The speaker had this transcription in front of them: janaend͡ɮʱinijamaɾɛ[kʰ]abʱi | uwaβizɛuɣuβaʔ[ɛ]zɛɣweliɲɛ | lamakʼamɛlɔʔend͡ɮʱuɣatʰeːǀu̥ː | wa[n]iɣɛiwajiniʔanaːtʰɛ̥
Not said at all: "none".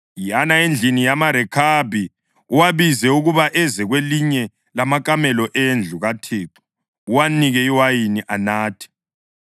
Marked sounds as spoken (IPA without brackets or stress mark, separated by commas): kʰ, ɛ, n